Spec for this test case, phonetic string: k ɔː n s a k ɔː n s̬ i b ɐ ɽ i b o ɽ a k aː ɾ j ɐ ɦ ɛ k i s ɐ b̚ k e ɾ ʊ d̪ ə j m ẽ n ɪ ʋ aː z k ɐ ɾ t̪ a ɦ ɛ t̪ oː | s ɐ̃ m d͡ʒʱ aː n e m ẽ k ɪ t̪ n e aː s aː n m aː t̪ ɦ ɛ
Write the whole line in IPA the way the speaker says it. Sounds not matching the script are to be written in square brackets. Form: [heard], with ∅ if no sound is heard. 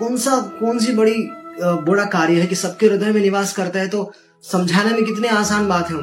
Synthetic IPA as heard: k ɔː n s a k ɔː n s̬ i b ɐ ɽ i b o ɽ a k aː ɾ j [ə] ɦ ɛ k i s ɐ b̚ k e ɾ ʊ d̪ ə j m ẽ n ɪ ʋ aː [s] k ɐ ɾ t̪ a ɦ ɛ t̪ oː | s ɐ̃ m d͡ʒʱ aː n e m ẽ k ɪ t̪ n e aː s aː n [b] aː t̪ ɦ ɛ